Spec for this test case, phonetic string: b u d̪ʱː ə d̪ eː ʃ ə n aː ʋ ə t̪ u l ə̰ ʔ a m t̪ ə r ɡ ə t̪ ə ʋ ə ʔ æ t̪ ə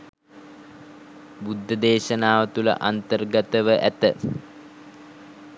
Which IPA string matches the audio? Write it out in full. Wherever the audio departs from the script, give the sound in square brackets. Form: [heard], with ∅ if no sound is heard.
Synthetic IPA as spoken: b u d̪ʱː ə d̪ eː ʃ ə n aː ʋ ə t̪ u l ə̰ ʔ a [n] t̪ ə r ɡ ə t̪ ə ʋ ə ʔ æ t̪ ə